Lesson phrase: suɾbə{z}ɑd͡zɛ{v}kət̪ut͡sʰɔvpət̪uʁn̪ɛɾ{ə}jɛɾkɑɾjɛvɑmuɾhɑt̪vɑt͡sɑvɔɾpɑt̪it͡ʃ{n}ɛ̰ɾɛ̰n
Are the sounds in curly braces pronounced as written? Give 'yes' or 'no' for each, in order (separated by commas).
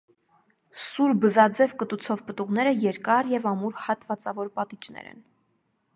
yes, yes, yes, yes